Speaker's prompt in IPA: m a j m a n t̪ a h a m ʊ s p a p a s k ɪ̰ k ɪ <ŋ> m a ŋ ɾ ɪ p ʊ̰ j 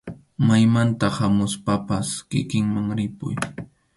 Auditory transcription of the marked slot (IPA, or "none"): ŋ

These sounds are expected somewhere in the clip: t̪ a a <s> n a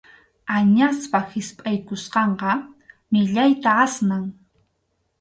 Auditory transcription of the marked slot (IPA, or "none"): s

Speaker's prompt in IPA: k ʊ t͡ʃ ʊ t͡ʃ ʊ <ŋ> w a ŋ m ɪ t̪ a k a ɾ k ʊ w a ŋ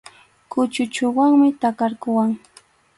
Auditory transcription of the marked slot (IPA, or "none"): none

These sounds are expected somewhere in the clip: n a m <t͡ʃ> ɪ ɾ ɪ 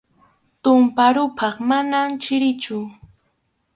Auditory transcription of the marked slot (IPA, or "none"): t͡ʃ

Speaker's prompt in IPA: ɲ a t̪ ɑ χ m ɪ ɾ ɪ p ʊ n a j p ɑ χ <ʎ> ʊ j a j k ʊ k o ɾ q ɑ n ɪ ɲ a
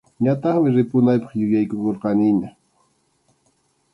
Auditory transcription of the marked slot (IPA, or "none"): j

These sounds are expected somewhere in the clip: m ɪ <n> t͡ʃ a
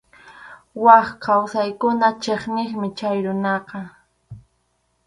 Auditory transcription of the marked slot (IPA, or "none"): none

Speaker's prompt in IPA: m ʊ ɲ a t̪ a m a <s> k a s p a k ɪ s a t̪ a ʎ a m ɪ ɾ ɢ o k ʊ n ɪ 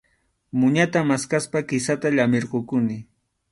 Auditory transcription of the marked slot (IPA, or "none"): s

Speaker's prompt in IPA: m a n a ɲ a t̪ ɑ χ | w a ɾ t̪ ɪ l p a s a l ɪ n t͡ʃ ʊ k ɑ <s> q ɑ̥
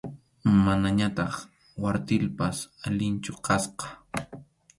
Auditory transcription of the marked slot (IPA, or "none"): s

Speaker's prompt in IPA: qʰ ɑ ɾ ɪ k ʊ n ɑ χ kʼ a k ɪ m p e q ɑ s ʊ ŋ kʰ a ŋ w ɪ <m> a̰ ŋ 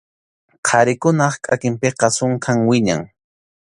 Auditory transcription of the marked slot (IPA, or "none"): ɲ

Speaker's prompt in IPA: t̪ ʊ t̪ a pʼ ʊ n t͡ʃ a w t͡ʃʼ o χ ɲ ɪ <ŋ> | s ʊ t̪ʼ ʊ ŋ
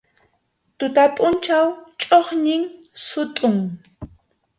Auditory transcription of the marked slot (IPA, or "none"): ŋ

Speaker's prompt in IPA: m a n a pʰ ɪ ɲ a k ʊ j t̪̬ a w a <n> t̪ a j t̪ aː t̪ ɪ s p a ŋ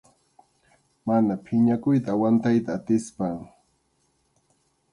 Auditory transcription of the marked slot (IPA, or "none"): n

